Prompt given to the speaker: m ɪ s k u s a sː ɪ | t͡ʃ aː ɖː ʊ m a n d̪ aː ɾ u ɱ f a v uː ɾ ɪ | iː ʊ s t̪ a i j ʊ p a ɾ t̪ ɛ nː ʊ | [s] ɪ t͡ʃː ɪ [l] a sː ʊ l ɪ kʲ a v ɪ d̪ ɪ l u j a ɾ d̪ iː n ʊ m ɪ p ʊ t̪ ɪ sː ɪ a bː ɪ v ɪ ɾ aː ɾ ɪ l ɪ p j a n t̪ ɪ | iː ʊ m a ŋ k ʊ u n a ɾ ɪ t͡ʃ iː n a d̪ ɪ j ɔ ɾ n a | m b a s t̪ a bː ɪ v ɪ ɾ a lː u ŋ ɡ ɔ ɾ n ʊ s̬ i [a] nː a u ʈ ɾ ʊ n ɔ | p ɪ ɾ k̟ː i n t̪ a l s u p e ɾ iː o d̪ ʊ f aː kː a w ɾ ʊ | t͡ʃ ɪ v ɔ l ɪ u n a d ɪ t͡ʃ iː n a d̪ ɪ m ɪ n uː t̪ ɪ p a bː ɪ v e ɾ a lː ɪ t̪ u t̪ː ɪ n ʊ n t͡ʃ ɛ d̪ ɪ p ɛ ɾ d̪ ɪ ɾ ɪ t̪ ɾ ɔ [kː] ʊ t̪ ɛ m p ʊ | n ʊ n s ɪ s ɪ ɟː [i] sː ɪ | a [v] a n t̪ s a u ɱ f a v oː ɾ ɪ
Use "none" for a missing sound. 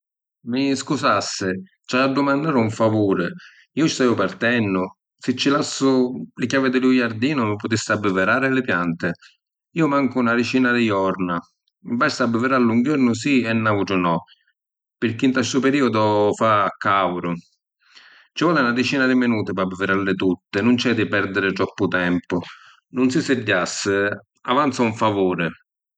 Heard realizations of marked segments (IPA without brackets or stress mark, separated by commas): s, l, ɛ, pː, a, v